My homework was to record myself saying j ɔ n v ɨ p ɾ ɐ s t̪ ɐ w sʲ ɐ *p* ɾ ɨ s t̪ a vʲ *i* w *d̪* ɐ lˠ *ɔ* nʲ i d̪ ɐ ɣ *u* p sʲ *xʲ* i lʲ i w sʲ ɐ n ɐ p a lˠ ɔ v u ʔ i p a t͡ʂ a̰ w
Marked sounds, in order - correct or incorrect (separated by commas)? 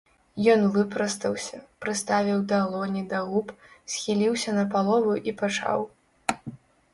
correct, correct, correct, correct, correct, correct